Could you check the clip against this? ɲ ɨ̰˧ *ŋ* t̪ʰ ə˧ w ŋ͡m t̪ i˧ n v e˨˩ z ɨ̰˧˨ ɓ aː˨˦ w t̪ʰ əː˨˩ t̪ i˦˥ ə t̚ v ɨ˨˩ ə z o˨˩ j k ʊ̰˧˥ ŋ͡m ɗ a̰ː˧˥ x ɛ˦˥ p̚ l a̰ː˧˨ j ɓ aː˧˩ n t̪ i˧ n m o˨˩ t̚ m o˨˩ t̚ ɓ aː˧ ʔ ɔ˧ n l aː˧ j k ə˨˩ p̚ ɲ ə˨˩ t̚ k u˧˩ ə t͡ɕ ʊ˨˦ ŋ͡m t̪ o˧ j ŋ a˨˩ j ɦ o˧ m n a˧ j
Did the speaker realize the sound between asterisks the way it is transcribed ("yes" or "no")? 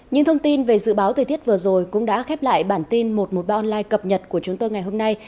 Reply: yes